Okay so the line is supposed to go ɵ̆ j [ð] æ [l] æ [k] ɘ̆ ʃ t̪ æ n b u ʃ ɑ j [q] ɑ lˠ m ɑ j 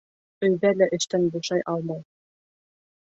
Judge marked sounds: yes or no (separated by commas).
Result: yes, yes, no, no